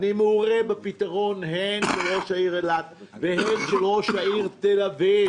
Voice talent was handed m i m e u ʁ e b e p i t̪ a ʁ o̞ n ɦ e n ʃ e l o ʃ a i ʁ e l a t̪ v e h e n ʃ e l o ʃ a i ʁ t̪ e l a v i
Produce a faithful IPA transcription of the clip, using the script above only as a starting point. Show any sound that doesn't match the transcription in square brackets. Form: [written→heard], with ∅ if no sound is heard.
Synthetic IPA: [m→n] i m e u ʁ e b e p i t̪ a ʁ o̞ n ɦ e n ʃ e l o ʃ a i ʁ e l a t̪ v e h e n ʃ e l o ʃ a i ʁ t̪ e l a v i